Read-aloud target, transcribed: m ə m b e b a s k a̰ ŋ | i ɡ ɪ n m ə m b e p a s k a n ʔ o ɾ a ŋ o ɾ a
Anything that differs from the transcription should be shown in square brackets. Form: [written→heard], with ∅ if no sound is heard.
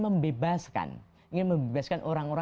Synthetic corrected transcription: m ə m b e b a s k a̰ [ŋ→n] | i [ɡ→ŋ] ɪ n m ə m b e [p→b] a s k a n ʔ o ɾ a ŋ o ɾ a